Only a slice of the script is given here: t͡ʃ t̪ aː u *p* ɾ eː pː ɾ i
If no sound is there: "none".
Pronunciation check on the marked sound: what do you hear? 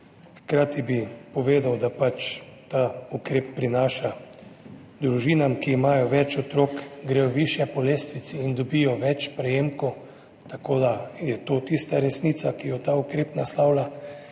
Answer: k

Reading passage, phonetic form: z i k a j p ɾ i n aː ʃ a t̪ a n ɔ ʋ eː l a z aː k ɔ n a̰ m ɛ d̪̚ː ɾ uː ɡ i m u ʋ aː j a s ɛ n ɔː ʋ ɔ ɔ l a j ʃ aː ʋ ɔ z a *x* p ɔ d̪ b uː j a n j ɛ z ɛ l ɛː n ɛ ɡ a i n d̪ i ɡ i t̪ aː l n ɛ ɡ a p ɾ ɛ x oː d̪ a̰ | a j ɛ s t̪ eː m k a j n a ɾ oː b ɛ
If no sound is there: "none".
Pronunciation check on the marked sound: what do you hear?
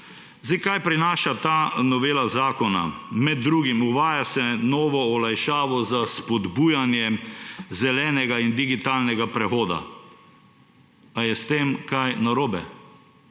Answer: s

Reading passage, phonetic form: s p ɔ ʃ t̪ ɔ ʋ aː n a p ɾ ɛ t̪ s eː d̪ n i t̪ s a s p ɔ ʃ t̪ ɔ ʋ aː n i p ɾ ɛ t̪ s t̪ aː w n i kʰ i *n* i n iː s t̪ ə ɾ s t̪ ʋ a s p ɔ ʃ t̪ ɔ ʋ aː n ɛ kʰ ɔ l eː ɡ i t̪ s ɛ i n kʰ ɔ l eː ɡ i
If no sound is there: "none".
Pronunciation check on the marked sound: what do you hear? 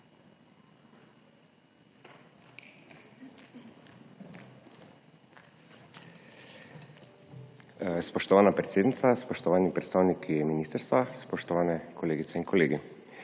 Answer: m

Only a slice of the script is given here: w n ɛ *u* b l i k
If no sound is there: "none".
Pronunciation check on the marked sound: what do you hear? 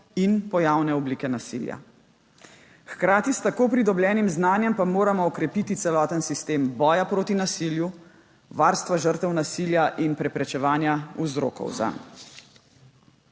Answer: ɔ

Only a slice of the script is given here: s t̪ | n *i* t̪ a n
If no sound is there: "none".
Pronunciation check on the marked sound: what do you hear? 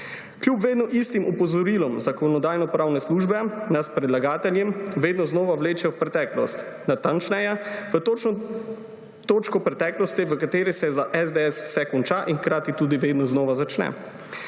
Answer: a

